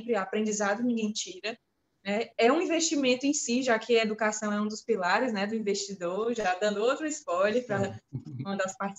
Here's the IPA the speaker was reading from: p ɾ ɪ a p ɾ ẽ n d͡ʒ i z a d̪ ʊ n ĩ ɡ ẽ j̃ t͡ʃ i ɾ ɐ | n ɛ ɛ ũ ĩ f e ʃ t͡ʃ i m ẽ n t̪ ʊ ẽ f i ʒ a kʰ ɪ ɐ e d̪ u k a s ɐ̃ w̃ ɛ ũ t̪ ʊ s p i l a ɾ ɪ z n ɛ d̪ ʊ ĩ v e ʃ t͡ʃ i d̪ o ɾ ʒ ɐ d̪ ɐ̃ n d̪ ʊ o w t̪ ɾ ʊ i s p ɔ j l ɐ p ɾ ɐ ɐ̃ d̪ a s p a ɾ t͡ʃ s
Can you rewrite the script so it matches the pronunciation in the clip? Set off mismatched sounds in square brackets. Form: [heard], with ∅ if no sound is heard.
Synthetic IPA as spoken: p ɾ ɪ a p ɾ ẽ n d͡ʒ i z a d̪ ʊ n ĩ ɡ ẽ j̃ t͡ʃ i ɾ ɐ | n ɛ ɛ ũ ĩ [v] e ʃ t͡ʃ i m ẽ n t̪ ʊ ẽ [s] i ʒ a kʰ ɪ ɐ e d̪ u k a s ɐ̃ w̃ ɛ ũ [d̪] ʊ s p i l a ɾ ɪ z n ɛ d̪ ʊ ĩ v e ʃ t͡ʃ i d̪ o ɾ ʒ [a] d̪ ɐ̃ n d̪ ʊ o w t̪ ɾ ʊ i s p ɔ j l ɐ p ɾ ɐ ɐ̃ d̪ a s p a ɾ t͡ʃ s